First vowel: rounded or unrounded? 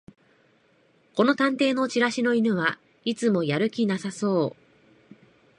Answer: rounded